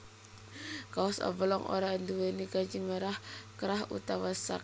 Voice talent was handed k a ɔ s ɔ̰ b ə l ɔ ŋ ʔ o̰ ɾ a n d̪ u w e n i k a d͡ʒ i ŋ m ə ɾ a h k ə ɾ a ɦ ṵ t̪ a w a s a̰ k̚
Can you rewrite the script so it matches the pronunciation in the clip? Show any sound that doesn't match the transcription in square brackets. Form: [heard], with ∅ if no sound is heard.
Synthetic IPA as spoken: k a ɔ s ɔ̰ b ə l ɔ ŋ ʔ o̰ ɾ a n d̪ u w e n i k a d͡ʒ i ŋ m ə ɾ a h k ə ɾ a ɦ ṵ t̪ a w a s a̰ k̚